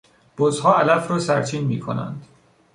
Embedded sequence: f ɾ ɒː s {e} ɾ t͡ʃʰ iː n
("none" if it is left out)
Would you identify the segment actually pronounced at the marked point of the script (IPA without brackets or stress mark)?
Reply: æ